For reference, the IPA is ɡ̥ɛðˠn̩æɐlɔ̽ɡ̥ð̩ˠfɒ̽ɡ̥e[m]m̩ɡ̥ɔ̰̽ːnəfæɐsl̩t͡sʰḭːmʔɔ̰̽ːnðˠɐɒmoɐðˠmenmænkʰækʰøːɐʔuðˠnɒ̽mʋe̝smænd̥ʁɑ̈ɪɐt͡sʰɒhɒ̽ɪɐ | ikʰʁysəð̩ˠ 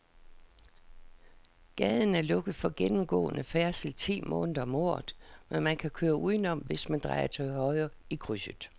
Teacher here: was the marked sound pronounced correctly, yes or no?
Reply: no